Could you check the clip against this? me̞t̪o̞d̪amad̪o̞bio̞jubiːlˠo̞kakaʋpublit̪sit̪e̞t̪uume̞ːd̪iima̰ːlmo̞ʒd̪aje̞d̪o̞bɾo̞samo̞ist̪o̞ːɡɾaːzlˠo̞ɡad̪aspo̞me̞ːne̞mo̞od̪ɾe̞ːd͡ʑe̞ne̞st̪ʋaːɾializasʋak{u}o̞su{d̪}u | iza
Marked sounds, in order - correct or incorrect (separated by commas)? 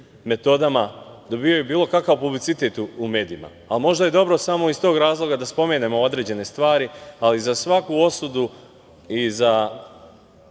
correct, correct